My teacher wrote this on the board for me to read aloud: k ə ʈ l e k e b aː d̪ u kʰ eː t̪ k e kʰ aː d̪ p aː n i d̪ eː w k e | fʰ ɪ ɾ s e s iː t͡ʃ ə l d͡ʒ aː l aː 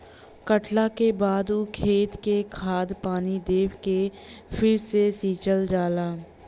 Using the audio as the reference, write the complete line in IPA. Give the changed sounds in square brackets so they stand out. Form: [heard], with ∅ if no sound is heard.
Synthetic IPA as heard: k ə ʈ l [a] k e b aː d̪ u kʰ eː t̪ k e kʰ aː d̪ p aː n i d̪ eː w k e | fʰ ɪ ɾ s e s iː t͡ʃ ə l d͡ʒ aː l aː